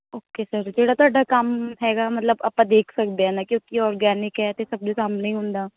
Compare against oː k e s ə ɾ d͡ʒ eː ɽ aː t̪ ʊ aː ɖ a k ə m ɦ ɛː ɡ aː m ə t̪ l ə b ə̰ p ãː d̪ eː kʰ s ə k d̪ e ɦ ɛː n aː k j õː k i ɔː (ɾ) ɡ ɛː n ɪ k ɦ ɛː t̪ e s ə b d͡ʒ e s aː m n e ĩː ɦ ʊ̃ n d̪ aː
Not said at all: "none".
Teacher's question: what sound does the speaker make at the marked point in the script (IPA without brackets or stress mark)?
ɾ